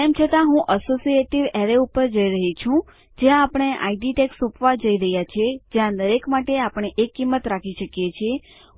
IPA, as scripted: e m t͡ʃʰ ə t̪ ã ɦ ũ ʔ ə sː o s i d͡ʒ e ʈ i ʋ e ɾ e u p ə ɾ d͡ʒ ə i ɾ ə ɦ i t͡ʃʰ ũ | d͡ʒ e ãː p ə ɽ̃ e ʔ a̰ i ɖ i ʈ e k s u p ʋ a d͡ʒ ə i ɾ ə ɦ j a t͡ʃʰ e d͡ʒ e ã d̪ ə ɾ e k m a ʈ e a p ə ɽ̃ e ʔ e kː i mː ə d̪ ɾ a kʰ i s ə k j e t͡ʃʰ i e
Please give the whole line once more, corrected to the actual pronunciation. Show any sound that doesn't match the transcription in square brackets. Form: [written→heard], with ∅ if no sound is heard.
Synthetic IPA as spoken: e m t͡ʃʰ ə t̪ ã ɦ ũ ʔ ə [sː→s] o s i [d͡ʒ→∅] e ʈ i ʋ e ɾ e u p ə ɾ d͡ʒ ə i ɾ ə ɦ i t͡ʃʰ ũ | d͡ʒ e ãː p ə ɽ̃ e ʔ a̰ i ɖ i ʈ e k s u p ʋ a d͡ʒ ə i ɾ ə ɦ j a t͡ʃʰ e d͡ʒ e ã d̪ ə ɾ e k m a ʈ e a p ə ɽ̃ e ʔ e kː i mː ə [d̪→t̪] ɾ a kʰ i [s→ʃ] ə k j e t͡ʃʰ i e